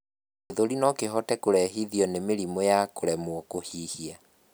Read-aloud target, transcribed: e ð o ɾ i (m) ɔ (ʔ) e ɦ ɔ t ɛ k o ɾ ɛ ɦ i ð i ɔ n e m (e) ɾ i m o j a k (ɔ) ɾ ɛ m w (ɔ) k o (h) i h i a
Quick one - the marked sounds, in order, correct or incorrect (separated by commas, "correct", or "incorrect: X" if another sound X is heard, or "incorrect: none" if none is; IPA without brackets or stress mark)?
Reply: incorrect: n, incorrect: k, correct, incorrect: o, correct, correct